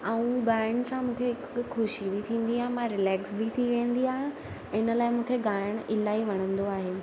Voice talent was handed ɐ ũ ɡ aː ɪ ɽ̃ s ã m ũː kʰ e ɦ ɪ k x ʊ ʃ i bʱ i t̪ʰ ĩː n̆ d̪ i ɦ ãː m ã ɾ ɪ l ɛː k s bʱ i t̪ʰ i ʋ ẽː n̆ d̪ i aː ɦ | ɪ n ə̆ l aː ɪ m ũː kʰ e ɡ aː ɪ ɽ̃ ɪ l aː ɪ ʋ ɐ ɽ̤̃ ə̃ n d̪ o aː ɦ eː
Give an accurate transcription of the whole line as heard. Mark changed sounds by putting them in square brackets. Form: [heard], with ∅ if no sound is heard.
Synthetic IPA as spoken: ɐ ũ ɡ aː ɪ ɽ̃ s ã m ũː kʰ e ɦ ɪ k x ʊ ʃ i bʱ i t̪ʰ ĩː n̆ d̪ i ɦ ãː m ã ɾ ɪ l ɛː k s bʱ i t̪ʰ i ʋ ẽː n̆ d̪ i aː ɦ | ɪ n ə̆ l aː ɪ m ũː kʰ e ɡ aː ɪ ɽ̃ ɪ l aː [i] ʋ ɐ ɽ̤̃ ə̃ n d̪ o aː ɦ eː